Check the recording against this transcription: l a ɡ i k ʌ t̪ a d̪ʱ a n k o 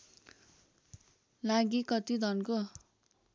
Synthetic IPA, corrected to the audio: l a ɡ i k ʌ t̪ i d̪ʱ ʌ n k o